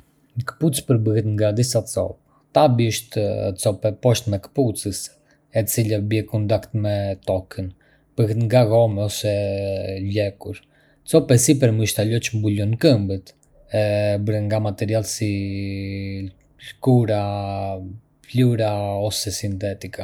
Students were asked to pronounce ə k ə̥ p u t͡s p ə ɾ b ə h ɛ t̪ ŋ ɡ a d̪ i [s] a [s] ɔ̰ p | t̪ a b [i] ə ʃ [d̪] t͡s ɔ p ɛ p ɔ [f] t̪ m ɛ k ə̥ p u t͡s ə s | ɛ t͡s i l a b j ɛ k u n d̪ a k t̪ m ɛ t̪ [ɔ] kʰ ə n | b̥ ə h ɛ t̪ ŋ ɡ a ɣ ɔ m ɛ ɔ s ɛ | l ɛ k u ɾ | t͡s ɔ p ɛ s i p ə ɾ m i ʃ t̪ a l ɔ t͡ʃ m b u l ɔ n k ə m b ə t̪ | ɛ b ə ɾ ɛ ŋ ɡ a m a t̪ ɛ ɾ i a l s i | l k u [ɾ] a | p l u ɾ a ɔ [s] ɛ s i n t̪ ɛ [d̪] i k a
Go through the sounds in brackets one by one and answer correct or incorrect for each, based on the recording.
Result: correct, incorrect, correct, incorrect, incorrect, correct, correct, correct, incorrect

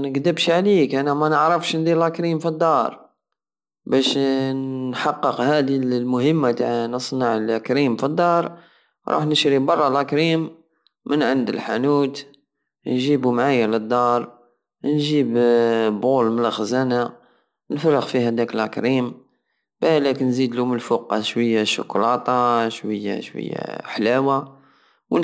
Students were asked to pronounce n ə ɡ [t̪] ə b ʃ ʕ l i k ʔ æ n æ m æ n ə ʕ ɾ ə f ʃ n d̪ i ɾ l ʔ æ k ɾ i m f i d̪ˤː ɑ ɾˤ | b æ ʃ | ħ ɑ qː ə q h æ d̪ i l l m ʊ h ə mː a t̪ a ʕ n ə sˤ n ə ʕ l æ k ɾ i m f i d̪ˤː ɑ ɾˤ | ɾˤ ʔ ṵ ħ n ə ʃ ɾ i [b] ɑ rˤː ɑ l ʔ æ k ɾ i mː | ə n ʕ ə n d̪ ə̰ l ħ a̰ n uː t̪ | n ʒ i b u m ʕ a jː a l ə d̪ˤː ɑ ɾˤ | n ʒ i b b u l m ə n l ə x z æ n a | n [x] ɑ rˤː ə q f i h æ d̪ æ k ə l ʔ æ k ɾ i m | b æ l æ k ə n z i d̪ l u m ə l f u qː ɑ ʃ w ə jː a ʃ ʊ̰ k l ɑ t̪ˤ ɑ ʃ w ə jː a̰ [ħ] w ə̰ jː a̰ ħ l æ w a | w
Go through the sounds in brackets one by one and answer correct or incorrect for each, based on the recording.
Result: incorrect, correct, incorrect, incorrect

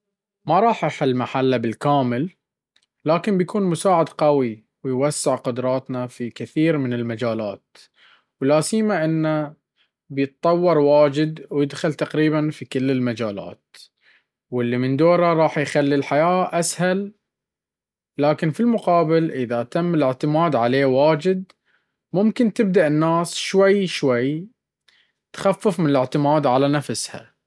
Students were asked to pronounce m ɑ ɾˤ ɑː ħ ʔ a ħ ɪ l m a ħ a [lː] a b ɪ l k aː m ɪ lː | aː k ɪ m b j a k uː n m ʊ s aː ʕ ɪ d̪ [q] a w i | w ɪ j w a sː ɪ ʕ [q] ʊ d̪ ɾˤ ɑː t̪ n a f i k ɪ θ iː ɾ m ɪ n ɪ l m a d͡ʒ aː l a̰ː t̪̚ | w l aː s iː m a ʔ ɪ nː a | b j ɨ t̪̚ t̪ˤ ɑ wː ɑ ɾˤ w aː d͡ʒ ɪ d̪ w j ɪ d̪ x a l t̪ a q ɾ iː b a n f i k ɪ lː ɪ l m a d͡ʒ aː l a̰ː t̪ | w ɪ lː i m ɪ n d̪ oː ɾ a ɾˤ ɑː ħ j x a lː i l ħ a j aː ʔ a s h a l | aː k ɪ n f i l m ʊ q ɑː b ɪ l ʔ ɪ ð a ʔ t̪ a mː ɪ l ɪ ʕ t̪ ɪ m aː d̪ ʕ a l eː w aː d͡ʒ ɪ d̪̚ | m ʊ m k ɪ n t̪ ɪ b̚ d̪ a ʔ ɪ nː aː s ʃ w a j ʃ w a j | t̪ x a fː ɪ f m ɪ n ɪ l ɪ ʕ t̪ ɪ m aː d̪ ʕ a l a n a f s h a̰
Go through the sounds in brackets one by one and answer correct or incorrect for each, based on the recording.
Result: correct, correct, correct

